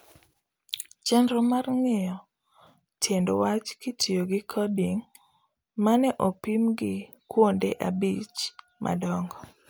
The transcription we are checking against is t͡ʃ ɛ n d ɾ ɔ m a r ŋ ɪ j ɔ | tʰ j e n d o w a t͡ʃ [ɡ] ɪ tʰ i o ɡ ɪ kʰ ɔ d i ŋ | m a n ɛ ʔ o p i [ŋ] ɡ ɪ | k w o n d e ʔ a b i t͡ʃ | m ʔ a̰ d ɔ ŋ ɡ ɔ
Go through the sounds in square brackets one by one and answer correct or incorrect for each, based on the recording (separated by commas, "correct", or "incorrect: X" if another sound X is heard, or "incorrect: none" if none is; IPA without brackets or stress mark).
incorrect: k, incorrect: m